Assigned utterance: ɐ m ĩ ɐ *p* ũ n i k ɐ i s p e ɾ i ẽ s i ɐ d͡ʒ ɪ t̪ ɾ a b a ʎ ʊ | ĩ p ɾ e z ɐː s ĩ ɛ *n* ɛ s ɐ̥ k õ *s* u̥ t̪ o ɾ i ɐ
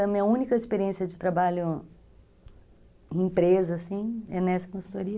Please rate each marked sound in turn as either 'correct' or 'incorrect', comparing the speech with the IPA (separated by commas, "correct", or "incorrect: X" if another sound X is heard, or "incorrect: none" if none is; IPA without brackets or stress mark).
incorrect: none, correct, correct